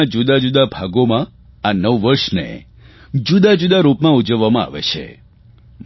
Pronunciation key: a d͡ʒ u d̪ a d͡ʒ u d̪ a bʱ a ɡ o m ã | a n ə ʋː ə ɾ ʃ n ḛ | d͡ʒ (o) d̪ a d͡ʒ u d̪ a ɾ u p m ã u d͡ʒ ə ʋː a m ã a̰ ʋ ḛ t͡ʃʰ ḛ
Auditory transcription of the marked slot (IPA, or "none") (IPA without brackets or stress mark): u